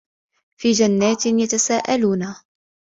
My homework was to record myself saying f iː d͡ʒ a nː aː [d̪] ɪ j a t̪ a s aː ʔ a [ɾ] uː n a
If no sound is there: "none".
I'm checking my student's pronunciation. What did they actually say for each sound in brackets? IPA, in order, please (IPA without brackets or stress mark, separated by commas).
t̪, l